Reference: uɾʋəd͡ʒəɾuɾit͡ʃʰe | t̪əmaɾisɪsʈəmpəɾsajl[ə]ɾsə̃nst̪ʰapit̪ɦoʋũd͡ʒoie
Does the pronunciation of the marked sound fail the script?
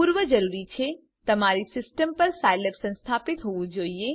no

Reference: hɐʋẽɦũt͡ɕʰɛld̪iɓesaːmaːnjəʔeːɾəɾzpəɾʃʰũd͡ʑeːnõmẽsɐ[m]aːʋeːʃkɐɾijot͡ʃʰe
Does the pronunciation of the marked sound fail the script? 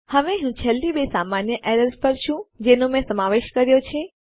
no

